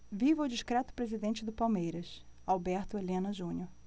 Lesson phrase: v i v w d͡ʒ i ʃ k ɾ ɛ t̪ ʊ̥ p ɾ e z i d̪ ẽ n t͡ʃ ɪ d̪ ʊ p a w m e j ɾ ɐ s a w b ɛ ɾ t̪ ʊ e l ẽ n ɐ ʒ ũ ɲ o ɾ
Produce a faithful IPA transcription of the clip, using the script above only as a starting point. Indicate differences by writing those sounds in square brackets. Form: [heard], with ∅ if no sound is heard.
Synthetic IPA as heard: v i v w d͡ʒ i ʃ k ɾ ɛ t̪ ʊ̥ p ɾ e z i d̪ ẽ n t͡ʃ ɪ d̪ ʊ p a w m e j ɾ ɐ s a w b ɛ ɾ t̪ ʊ e l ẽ n ɐ ʒ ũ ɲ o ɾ